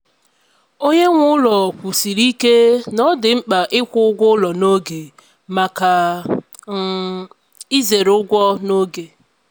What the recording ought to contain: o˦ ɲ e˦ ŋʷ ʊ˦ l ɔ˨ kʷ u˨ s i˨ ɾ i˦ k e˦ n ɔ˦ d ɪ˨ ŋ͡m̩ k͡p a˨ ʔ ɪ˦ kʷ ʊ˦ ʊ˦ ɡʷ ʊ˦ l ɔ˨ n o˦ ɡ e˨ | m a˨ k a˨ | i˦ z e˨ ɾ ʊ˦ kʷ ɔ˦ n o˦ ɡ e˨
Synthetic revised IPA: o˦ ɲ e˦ ŋʷ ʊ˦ l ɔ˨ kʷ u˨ s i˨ ɾ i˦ k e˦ n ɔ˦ d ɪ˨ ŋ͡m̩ k͡p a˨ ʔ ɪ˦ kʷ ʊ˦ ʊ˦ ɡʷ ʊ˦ l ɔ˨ n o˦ ɡ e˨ | m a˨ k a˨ | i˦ z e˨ ɾ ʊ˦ ɡʷ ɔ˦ n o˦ ɡ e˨